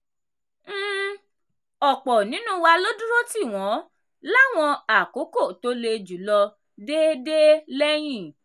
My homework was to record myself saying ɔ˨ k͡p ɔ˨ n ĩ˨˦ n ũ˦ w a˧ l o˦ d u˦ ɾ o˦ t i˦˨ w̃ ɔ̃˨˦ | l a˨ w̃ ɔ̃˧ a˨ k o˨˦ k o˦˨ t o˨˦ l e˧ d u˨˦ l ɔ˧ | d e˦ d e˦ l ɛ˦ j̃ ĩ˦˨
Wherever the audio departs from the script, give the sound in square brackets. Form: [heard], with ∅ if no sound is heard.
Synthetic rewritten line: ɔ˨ k͡p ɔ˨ n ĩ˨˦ n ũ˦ w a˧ l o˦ d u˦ ɾ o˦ t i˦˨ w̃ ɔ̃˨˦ | l [a˦˨] w̃ ɔ̃˧ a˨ k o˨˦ k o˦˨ t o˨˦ l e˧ [d͡ʒ] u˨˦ l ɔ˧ | d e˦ d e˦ l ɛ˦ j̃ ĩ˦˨